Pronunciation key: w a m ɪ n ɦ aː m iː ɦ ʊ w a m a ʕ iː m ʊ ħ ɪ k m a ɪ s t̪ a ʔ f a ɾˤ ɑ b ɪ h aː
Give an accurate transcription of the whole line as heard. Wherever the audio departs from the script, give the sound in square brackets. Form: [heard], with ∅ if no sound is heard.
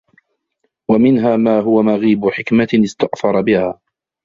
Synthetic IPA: w a m ɪ n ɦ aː m [aː] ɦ ʊ w a m a [ɣ] iː [b] ʊ ħ ɪ k m a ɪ s t̪ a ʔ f [ɑ] ɾˤ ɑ b ɪ h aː